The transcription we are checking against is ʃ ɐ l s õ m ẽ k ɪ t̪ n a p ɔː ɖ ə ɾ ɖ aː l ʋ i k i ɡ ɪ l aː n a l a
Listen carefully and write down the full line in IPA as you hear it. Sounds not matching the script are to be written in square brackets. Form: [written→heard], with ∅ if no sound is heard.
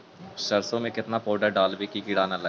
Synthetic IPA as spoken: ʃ ɐ [l→ɾ] s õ m ẽ k ɪ t̪ n a p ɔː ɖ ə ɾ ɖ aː l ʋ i k i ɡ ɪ [l→ɽ] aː n a l [a→ɐ]